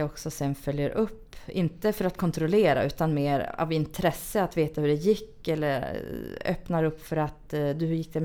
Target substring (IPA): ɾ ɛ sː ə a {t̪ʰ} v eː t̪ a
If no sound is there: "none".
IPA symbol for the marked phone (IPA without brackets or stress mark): t̪